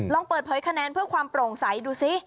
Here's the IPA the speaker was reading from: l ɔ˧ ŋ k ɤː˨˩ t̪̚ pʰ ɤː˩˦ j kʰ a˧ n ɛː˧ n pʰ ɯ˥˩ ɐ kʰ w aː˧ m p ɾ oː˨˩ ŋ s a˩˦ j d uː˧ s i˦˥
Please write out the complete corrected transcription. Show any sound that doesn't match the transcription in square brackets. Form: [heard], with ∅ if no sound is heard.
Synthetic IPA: l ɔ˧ ŋ [p] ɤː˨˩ t̪̚ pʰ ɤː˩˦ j kʰ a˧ n ɛː˧ n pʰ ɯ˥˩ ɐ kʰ w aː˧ m p ɾ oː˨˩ ŋ s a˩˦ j d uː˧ s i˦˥